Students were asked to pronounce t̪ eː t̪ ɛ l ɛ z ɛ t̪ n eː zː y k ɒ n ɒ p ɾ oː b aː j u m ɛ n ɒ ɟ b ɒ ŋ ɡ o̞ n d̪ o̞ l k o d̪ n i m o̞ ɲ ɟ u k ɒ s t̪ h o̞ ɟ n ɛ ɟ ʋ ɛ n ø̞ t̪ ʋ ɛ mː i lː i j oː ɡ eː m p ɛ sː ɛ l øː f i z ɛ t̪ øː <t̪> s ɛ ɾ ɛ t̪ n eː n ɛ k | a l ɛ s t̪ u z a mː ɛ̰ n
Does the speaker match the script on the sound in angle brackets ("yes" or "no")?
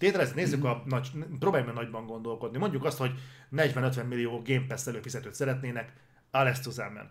yes